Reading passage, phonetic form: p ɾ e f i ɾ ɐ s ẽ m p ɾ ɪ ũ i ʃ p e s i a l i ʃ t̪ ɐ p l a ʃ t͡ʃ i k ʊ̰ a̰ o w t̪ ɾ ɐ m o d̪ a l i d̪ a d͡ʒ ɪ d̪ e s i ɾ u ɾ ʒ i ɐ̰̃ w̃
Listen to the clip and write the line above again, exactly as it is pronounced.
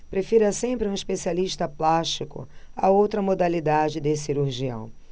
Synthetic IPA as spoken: p ɾ e f i ɾ ɐ s ẽ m p ɾ ɪ ũ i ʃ p e s i a l i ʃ t̪ ɐ p l a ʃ t͡ʃ i k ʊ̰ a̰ o w t̪ ɾ ɐ m o d̪ a l i d̪ a d͡ʒ ɪ d̪ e s i ɾ u ɾ ʒ i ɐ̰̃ w̃